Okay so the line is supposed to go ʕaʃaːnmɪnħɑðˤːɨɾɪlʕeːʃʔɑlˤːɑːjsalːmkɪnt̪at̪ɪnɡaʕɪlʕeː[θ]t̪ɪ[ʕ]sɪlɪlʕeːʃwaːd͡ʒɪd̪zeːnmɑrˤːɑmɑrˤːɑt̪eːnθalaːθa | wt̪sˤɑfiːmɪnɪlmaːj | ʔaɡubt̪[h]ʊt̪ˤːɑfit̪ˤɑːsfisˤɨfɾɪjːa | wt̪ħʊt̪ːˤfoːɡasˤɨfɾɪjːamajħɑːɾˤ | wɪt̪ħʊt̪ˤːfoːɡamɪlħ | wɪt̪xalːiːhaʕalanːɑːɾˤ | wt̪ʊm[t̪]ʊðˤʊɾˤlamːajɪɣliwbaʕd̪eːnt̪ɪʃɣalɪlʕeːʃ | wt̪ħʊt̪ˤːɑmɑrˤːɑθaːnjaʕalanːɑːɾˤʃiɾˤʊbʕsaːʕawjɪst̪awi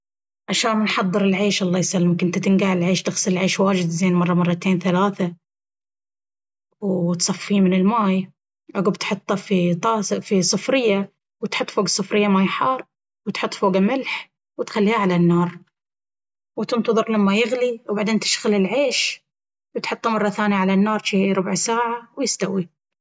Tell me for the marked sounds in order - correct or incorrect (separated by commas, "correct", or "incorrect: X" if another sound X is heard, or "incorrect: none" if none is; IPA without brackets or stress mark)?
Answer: incorrect: ʃ, incorrect: ɣ, incorrect: ħ, correct